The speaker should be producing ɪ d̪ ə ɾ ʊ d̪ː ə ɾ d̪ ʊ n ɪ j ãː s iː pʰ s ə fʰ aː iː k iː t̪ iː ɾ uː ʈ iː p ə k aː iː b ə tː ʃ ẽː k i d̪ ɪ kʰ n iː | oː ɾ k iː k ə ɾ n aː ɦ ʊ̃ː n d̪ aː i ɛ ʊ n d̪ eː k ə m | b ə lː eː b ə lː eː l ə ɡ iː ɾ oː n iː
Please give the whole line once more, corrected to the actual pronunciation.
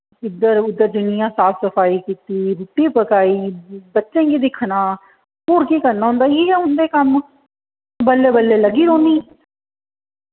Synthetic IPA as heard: ɪ d̪ ə ɾ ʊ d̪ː ə ɾ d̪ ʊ n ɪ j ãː s aː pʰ s ə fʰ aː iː k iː t̪ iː ɾ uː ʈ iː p ə k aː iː b ə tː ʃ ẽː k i d̪ ɪ kʰ n aː | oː ɾ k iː k ə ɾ n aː ɦ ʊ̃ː n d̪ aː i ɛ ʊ n d̪ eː k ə m | b ə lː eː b ə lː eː l ə ɡ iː ɾ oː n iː